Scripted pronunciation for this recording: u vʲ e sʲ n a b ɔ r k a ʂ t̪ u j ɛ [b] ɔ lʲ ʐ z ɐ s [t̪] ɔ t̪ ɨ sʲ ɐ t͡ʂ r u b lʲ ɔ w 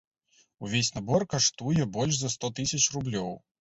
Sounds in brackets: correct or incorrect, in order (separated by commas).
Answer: correct, correct